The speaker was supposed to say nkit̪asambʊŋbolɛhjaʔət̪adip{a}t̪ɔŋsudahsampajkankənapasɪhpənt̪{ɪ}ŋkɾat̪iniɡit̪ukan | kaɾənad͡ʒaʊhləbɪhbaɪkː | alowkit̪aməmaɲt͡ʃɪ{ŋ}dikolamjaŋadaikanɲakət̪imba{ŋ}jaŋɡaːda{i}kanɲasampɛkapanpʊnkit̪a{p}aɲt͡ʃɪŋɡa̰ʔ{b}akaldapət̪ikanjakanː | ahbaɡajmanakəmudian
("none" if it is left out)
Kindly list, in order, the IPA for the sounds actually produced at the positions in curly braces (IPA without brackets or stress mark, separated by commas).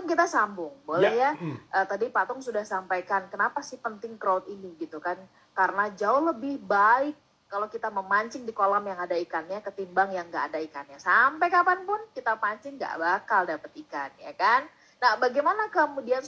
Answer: a, ɪ, ŋ, ŋ, i, p, b